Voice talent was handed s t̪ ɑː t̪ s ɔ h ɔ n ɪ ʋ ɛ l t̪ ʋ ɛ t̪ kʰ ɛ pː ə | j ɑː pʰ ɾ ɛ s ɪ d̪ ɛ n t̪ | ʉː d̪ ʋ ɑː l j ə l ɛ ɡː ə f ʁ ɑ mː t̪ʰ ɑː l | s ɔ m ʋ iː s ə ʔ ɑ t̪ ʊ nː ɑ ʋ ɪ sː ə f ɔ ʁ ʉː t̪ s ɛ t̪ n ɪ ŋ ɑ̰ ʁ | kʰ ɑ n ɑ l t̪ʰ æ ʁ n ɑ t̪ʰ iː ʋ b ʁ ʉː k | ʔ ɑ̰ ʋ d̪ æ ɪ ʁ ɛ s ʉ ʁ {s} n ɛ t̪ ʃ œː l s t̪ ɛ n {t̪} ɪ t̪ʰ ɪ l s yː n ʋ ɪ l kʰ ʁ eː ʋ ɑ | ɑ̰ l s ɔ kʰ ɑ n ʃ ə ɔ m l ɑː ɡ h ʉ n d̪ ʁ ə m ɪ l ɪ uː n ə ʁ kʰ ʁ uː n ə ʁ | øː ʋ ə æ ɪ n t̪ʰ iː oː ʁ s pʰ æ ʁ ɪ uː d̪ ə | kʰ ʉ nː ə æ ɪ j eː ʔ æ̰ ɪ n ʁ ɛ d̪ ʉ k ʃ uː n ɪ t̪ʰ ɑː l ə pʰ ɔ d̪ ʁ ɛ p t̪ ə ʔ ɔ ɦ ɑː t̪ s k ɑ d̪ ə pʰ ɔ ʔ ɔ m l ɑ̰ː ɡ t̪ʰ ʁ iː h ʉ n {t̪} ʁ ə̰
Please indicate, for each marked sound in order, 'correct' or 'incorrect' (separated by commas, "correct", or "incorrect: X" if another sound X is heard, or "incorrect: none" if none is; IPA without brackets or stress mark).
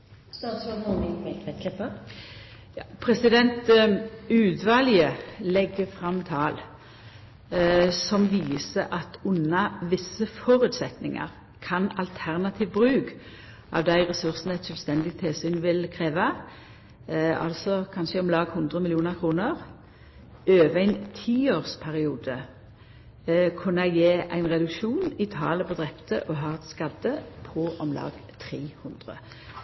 correct, incorrect: d̪, incorrect: d̪